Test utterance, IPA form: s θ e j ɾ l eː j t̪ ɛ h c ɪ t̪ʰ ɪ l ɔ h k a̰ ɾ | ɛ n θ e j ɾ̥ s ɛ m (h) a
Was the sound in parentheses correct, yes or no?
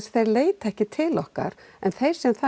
no